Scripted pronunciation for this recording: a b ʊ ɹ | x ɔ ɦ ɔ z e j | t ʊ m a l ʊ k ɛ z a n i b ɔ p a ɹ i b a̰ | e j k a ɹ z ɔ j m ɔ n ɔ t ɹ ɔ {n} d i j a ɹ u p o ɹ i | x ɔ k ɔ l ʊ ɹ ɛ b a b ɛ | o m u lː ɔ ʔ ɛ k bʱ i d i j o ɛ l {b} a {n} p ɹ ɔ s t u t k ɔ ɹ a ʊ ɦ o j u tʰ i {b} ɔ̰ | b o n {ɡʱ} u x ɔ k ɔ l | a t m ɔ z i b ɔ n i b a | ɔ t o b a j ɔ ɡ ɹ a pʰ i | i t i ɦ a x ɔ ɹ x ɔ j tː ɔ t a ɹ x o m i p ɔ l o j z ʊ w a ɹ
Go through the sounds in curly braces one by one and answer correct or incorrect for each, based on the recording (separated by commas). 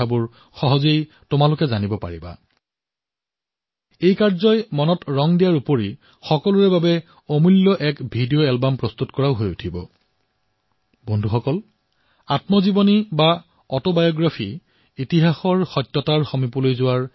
incorrect, correct, incorrect, correct, incorrect